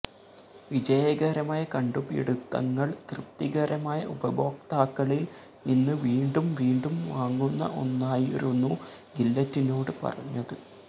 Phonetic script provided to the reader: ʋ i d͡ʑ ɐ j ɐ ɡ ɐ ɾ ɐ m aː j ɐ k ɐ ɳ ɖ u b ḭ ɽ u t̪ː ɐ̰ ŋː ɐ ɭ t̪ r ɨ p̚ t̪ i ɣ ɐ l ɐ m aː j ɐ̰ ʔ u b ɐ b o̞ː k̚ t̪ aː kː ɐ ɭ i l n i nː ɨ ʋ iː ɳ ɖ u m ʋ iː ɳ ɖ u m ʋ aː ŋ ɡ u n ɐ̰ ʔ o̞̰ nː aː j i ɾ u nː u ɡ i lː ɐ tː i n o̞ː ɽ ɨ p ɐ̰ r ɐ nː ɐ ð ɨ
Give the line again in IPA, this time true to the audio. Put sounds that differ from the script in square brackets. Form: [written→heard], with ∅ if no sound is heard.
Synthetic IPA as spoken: ʋ i d͡ʑ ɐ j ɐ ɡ ɐ ɾ ɐ m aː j ɐ k ɐ ɳ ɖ u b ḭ ɽ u t̪ː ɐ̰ ŋː ɐ ɭ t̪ r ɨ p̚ t̪ i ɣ ɐ [l→ɾ] ɐ m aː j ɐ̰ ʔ u b ɐ b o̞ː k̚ t̪ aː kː ɐ ɭ i l n i nː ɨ ʋ iː ɳ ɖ u m ʋ iː ɳ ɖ u m ʋ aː ŋ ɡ u [n→nː] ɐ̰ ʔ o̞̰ nː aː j i ɾ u nː u ɡ i lː ɐ tː i n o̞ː ɽ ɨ p ɐ̰ r ɐ [nː→ɲː] ɐ ð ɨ